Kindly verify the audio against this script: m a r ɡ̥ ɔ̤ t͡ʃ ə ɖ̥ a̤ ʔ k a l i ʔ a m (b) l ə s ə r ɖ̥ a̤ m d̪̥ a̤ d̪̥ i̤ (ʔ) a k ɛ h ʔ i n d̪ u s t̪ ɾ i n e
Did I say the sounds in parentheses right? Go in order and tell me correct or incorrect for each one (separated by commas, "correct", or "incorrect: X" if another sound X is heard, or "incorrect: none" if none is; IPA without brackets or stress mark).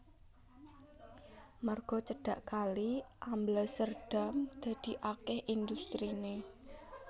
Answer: correct, correct